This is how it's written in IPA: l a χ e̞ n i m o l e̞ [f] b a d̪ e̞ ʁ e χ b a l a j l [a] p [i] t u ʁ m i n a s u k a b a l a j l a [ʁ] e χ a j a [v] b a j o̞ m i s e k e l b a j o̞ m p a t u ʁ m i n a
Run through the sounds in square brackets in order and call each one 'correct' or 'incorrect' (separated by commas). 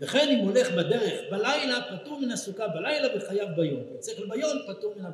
incorrect, correct, incorrect, incorrect, correct